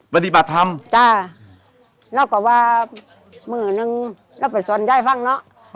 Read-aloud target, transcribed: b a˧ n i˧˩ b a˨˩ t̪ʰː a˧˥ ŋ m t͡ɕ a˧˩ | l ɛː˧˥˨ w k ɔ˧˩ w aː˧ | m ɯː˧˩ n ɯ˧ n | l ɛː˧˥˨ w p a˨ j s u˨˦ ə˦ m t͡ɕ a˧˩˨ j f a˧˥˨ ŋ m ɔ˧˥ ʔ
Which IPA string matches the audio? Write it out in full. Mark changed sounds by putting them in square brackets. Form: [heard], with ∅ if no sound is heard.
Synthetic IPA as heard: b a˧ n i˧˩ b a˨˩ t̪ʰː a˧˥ [∅] m t͡ɕ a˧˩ | l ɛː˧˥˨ w k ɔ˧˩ w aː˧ | m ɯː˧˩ n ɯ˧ [ŋ] | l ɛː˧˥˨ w p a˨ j s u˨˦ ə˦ [n] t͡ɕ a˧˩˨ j f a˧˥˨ ŋ [n] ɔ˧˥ ʔ